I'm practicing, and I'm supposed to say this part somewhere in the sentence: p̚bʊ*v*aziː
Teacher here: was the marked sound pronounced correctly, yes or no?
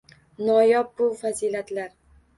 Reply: no